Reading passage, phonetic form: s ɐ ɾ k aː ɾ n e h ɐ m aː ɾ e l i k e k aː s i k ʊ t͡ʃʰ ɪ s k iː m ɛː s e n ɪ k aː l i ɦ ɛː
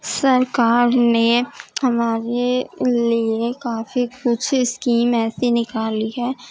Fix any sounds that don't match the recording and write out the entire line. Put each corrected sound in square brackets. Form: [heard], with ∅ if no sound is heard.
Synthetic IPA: s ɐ ɾ k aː ɾ n e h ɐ m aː ɾ e l i [∅] e k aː [f] i k ʊ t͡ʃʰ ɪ s k iː m ɛː s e n ɪ k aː l i ɦ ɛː